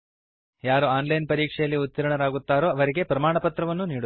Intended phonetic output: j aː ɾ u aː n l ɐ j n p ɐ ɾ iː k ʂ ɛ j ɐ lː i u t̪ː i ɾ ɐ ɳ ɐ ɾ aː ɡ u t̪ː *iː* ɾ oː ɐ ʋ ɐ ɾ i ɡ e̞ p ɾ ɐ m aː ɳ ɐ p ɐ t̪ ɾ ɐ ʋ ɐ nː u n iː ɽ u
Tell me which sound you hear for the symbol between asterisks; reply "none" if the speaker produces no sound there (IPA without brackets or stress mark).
aː